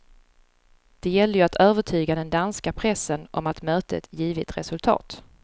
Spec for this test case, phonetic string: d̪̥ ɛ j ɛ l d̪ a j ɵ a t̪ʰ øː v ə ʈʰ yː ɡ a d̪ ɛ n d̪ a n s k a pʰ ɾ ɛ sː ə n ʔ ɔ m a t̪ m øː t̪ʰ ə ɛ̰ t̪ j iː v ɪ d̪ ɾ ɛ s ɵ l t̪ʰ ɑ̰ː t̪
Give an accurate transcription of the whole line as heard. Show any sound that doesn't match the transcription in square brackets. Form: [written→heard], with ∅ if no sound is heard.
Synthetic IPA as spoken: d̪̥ ɛ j ɛ l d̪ [a→ə] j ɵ a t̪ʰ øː v ə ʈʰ yː ɡ a d̪ ɛ n d̪ a n s k a pʰ ɾ ɛ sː ə n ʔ ɔ m a t̪ m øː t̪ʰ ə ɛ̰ t̪ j iː v ɪ [d̪→t̪] ɾ ɛ s ɵ l t̪ʰ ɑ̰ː t̪